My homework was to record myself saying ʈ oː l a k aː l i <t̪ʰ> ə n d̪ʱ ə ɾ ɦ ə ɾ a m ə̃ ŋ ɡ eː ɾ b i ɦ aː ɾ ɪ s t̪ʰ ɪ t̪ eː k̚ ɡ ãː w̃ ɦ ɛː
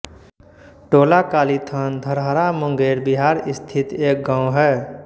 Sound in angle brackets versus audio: correct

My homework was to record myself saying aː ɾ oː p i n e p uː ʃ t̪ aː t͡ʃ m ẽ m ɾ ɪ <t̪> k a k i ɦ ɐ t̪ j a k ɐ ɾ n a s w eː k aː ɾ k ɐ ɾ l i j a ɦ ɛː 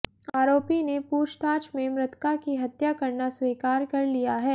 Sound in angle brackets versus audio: correct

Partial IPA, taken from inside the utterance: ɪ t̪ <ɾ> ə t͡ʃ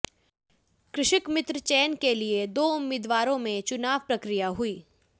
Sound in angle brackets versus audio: correct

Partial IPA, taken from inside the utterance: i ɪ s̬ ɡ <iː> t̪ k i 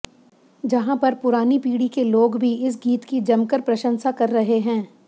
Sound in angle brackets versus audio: correct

